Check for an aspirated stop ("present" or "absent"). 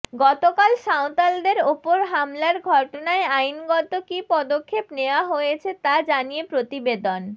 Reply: present